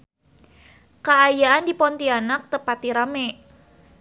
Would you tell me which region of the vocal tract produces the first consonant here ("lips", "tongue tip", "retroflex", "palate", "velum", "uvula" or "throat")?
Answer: velum